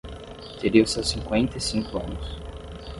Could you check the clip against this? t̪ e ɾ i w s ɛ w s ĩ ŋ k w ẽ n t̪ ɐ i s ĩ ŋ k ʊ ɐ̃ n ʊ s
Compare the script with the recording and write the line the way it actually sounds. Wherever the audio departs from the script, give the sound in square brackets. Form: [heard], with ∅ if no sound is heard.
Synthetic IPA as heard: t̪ e ɾ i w s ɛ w s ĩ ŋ k w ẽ n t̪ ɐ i s ĩ ŋ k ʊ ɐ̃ n ʊ s